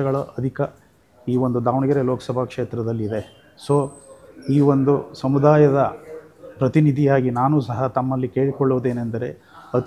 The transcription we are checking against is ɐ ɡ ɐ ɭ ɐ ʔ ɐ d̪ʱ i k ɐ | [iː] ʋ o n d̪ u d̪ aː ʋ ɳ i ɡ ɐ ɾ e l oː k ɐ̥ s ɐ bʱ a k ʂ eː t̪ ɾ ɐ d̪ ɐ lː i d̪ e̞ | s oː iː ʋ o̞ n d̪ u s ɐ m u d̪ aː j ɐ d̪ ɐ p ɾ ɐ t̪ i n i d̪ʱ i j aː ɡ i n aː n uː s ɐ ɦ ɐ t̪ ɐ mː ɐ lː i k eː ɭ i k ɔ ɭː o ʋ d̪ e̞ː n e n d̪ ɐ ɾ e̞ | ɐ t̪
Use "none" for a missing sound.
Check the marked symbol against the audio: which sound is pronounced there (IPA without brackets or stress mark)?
iː